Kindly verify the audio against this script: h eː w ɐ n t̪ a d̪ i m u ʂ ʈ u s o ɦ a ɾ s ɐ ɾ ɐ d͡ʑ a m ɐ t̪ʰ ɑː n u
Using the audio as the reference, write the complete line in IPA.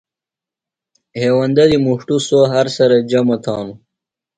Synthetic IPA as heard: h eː w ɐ n d̪ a d̪ i m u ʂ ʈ u s o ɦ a ɾ s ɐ ɾ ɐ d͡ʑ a m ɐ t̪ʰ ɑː n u